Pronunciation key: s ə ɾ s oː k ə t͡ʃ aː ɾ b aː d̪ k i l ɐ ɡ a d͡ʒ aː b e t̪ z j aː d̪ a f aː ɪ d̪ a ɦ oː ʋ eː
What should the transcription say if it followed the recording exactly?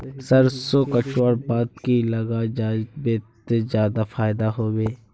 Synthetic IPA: s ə ɾ s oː k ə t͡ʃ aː ɾ b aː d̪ k i l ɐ ɡ a d͡ʒ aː b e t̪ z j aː d̪ a f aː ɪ d̪ a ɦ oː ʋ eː